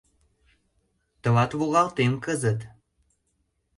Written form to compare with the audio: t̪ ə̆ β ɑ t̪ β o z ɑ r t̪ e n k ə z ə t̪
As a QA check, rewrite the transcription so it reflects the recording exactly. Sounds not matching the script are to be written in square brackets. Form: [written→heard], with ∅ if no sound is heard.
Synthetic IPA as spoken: t̪ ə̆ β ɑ t̪ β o [z→ɣ] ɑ [r→l] t̪ e [n→m] k ə z ə t̪